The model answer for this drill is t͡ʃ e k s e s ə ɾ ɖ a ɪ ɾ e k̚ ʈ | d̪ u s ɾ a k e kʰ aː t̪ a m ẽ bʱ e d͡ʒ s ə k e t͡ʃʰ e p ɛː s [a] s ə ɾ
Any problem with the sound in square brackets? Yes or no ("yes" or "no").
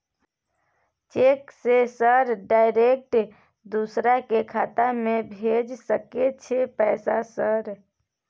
no